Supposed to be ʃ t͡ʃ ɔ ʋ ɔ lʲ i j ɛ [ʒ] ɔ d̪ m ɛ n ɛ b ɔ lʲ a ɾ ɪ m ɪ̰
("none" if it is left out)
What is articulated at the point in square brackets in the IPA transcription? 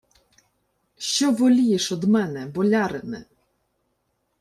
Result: ʃ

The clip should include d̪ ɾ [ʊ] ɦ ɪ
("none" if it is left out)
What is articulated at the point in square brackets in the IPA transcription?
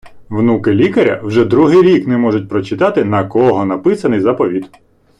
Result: u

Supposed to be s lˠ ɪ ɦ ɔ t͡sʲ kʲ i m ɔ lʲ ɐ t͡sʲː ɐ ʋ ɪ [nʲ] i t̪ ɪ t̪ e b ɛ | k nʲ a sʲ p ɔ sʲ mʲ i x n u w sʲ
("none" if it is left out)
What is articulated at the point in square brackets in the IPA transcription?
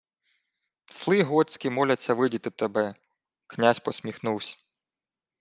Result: dʲ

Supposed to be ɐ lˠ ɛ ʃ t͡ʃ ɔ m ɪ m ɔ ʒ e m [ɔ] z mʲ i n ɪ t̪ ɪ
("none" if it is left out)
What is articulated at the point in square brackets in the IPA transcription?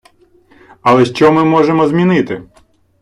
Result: ɔ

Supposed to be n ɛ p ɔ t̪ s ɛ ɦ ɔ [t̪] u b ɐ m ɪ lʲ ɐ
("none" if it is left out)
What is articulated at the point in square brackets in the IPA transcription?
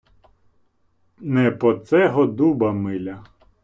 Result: d̪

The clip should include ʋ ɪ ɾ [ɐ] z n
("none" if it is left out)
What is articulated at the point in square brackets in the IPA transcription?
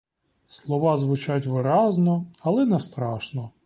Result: ɑ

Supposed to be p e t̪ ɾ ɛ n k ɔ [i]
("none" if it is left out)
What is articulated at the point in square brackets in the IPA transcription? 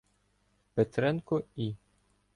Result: i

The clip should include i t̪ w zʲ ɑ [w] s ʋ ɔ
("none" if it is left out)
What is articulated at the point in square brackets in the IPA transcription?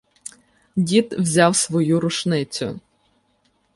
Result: w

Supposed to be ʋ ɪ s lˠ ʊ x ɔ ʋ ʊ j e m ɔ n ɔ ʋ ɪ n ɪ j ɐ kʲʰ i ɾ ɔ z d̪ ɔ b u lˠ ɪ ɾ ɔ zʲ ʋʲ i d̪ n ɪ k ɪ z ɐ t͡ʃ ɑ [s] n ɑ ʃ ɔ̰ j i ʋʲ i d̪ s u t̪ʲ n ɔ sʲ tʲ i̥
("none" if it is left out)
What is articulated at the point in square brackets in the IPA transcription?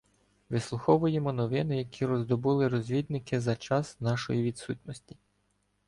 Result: s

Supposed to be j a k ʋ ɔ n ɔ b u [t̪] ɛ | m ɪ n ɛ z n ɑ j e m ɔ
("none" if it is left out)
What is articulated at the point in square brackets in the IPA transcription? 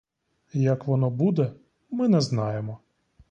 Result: d̪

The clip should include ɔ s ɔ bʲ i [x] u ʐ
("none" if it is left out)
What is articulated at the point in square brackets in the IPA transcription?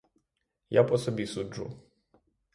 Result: s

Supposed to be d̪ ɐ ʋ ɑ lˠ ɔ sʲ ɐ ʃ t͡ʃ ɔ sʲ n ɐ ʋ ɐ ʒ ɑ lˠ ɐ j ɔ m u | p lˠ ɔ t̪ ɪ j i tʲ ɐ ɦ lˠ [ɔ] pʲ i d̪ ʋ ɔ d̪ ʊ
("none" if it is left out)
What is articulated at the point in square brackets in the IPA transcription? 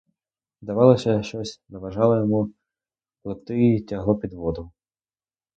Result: ɔ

